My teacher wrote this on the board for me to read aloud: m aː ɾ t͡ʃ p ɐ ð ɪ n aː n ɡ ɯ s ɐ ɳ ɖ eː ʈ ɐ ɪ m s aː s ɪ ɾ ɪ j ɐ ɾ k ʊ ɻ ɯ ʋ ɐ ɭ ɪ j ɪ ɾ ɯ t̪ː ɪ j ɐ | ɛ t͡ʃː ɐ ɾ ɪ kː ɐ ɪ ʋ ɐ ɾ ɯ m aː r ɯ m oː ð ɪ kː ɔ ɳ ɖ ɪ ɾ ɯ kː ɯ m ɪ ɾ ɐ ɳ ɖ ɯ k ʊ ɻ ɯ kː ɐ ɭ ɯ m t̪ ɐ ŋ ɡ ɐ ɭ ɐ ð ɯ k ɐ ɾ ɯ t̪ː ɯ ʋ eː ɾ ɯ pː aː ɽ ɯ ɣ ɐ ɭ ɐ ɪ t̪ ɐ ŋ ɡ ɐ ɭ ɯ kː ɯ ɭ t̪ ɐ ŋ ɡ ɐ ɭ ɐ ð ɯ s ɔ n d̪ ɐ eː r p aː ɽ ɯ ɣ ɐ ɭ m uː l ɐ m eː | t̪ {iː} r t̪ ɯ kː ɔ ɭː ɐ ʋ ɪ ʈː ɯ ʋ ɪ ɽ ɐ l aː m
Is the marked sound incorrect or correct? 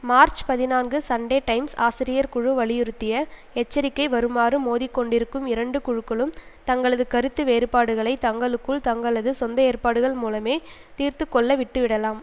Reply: correct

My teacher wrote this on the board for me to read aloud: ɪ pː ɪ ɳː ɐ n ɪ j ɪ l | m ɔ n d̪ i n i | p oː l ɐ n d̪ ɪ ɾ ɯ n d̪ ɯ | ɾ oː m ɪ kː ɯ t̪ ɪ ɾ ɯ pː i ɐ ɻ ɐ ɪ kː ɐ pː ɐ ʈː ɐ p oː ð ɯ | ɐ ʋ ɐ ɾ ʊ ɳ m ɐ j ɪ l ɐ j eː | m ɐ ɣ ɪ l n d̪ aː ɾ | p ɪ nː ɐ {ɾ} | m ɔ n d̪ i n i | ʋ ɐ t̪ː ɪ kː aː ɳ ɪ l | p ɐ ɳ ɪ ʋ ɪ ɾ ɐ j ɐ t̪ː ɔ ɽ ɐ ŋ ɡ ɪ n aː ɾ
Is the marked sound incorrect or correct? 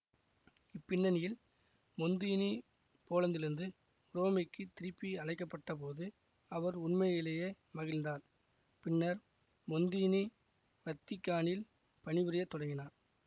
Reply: correct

